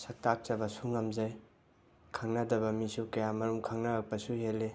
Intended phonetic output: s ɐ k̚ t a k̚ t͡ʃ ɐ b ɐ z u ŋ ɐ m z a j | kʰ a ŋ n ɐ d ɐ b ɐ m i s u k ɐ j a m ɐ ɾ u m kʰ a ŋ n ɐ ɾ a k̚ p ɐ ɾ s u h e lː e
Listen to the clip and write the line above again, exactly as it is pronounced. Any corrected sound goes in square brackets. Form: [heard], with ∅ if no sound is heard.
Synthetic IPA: s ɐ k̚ t a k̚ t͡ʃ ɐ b ɐ [s] u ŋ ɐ m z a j | kʰ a ŋ n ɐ d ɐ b ɐ m i s u k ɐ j a m ɐ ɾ u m kʰ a ŋ n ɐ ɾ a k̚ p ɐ [∅] s u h e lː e

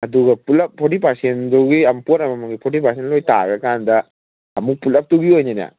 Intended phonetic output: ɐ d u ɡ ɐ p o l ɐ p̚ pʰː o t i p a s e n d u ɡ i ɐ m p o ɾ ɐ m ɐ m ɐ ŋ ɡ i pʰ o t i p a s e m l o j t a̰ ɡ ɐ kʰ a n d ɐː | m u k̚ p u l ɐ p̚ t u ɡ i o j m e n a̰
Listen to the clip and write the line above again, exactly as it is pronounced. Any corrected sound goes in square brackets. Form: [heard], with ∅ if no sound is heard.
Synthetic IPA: ɐ d u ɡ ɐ p [u] l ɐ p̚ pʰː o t i p a s e n d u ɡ i ɐ m p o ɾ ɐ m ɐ m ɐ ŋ ɡ i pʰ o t i p a s e [n] l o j t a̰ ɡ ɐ [k] a n d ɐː | m u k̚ p u l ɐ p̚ t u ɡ i o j [n] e n a̰

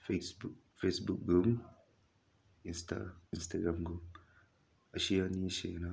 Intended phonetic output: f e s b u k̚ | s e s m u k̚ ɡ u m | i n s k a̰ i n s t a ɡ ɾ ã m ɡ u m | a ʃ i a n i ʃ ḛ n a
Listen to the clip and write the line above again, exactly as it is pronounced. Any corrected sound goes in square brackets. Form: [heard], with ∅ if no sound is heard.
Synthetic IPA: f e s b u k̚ | [f] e s [b] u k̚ ɡ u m | i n s [t] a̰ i n s t a ɡ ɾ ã m ɡ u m | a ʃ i a n i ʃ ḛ n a

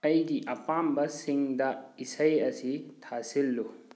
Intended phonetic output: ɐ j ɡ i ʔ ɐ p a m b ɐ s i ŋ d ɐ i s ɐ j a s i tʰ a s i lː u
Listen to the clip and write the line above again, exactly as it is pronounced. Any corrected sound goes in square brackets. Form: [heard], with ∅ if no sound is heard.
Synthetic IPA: ɐ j ɡ i ʔ ɐ p a m b ɐ s i ŋ d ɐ i s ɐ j [ɐ] s i tʰ a s i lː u

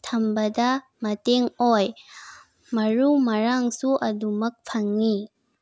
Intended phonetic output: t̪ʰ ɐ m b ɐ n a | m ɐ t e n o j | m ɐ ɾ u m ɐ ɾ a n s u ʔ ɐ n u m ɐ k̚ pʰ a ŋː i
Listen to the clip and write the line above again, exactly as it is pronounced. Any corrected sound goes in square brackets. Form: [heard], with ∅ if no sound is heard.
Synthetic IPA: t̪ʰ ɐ m b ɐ [d] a | m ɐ t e [ŋ] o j | m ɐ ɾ u m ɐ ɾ a [ŋ] s u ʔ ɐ [d] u m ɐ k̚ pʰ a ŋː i

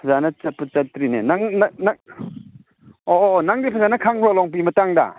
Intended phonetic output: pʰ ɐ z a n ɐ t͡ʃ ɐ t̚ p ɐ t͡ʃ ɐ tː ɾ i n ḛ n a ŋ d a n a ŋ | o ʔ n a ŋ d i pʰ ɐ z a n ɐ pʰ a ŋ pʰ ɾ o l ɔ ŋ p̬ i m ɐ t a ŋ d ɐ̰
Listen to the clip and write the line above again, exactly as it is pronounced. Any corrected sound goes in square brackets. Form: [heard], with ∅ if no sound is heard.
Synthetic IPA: pʰ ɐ z a n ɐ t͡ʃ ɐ t̚ p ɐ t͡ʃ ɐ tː ɾ i n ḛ n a ŋ [n] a n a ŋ | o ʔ n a ŋ d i pʰ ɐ z a n ɐ [kʰ] a ŋ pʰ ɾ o l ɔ ŋ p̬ i m ɐ t a ŋ d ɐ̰

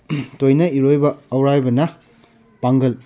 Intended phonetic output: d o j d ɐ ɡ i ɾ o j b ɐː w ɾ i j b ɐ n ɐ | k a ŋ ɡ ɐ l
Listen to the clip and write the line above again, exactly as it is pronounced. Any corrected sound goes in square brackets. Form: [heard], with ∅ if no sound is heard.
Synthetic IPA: [t] o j [n] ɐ [∅] i ɾ o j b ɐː w ɾ [a] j b ɐ n ɐ | [p] a ŋ ɡ ɐ l

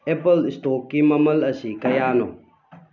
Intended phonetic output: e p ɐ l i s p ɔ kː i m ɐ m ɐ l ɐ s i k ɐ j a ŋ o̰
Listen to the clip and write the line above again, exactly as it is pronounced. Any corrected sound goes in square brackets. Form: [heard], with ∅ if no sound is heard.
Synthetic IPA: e p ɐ l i s [t] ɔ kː i m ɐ m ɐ l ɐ s i k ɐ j a [n] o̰

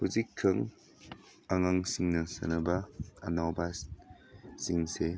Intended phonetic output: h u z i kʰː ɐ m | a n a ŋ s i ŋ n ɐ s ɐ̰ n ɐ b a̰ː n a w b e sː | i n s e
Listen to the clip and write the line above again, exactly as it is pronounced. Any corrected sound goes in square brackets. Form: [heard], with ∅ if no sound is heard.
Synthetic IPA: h u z i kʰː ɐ [ŋ] | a [ŋ] a ŋ s i ŋ n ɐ s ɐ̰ n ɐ b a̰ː n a w b [a] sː | i [ŋ] s e

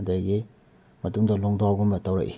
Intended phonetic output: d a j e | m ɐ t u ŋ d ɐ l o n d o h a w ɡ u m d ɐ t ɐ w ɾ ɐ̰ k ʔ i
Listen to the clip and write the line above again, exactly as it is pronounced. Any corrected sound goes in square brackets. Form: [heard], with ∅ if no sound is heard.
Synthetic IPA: d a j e | m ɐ t u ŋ d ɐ l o [ŋ] d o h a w ɡ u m [b] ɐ t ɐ w ɾ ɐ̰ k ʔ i

